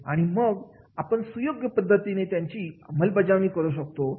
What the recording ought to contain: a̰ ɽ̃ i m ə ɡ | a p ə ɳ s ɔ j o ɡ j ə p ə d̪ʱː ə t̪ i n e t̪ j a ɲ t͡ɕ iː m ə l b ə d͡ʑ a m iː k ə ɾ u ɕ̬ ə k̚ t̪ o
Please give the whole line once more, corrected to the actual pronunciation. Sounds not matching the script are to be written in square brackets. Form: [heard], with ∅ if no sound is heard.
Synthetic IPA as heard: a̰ ɽ̃ i m ə ɡ | a p ə ɳ s [u] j o ɡ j ə p ə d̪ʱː ə t̪ i n e t̪ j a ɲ t͡ɕ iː m ə l b ə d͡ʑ a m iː k ə ɾ u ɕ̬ ə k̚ t̪ o